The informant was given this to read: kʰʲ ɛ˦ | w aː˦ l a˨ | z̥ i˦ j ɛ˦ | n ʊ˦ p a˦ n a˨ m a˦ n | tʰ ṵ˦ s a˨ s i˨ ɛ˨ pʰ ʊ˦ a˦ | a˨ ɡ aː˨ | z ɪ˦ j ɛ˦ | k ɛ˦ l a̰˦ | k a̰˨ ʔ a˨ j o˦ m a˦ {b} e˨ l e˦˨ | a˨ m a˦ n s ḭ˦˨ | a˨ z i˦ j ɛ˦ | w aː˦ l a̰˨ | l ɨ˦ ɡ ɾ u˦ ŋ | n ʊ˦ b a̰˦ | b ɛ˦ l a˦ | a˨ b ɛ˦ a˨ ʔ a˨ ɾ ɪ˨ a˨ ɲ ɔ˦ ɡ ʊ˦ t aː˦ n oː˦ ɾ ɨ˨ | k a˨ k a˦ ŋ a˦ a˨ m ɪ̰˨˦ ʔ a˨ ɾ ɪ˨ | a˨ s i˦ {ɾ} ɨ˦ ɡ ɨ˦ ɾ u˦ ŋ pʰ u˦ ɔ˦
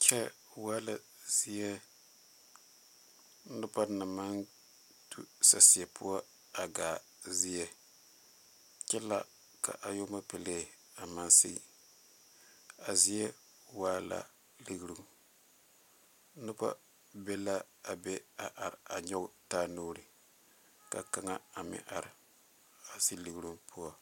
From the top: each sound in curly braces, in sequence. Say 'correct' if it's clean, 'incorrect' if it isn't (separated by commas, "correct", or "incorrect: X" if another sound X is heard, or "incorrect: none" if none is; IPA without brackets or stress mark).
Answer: incorrect: p, incorrect: l